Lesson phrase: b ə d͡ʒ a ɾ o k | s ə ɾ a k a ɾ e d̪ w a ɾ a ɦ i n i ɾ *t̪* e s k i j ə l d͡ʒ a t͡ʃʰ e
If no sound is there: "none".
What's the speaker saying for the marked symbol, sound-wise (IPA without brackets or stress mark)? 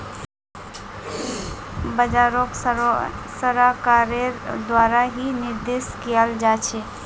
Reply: d̪